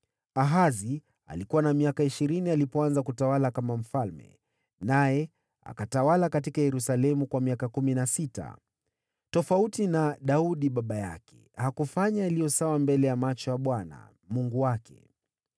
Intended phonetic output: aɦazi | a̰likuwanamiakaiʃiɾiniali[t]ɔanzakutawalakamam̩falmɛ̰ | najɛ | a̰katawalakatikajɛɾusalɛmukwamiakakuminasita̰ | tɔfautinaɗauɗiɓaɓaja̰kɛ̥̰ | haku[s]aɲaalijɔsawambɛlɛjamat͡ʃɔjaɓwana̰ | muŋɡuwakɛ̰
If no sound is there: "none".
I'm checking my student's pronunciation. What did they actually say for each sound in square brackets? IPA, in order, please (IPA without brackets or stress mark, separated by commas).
p, f